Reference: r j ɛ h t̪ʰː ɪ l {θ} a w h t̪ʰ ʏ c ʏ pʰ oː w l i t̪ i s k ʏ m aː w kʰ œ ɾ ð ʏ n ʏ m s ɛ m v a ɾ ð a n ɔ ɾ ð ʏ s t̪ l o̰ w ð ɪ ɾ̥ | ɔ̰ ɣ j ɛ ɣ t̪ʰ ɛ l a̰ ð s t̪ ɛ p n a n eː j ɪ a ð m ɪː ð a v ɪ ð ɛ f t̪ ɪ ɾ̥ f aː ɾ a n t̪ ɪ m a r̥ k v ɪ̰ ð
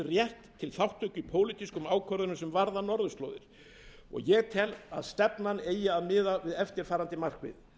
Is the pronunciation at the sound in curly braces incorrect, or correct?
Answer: correct